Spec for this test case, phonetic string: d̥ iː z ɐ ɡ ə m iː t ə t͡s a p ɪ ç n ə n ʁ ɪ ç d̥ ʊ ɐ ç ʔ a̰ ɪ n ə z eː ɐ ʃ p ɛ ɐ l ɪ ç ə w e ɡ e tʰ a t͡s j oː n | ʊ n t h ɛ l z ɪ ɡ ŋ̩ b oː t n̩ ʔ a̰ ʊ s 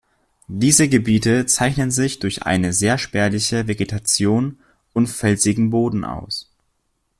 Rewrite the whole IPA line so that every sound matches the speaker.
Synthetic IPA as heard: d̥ iː z ə ɡ ə b iː t ə t͡s a ɪ ç n ə n z ɪ ç d̥ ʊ ɐ ç ʔ a̰ ɪ n ə z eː ɐ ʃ p ɛ ɐ l ɪ ç ə v e ɡ e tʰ a t͡s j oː n | ʊ n t f ɛ l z ɪ ɡ ŋ̩ b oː d n̩ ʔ a̰ ʊ s